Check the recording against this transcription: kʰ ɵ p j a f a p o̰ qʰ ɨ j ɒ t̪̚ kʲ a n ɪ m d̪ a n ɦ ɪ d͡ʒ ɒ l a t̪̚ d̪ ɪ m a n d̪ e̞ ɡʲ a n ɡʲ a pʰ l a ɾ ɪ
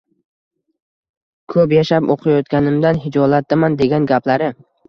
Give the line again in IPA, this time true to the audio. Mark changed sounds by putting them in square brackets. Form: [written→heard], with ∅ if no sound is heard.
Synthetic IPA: kʰ ɵ p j a [f→ʃ] a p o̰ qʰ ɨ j ɒ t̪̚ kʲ a n ɪ m d̪ a n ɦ ɪ d͡ʒ ɒ l a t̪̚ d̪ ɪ m a n d̪ e̞ ɡʲ a n ɡʲ a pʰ l a ɾ ɪ